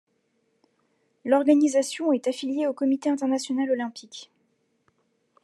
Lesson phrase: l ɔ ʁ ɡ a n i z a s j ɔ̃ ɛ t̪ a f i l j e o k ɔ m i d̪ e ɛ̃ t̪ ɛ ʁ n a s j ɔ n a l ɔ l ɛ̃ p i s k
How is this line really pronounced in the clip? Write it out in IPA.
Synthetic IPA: l ɔ ʁ ɡ a n i z a s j ɔ̃ ɛ t̪ a f i l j e o k ɔ m i t̪ e ɛ̃ t̪ ɛ ʁ n a s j ɔ n a l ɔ l ɛ̃ p i k